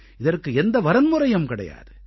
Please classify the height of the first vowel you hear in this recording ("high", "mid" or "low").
high